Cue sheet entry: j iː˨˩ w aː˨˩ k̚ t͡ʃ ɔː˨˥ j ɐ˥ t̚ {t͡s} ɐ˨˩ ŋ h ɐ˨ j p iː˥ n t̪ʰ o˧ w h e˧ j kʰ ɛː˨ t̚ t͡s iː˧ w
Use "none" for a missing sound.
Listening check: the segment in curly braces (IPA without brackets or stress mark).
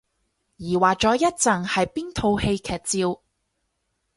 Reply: t͡s